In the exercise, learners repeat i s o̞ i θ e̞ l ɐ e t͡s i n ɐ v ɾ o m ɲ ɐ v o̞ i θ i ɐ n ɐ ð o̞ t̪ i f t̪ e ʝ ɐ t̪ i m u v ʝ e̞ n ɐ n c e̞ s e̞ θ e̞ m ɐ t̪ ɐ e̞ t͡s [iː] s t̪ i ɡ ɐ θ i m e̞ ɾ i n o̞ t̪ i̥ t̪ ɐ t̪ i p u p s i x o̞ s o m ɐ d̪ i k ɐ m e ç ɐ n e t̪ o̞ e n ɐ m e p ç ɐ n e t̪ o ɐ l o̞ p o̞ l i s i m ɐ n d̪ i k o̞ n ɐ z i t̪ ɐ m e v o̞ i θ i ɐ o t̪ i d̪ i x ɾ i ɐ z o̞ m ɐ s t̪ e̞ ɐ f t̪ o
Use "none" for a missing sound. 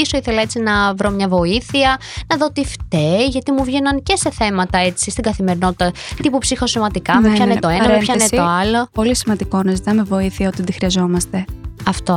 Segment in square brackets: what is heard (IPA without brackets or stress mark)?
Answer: i